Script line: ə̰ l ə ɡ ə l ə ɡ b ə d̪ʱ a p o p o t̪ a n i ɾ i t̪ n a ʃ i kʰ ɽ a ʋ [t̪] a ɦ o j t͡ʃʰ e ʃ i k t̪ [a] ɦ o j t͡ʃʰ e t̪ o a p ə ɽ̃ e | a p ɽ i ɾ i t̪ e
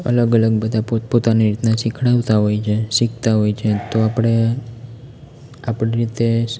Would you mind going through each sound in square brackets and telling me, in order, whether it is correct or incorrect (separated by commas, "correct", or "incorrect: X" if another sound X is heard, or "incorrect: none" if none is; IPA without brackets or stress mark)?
correct, correct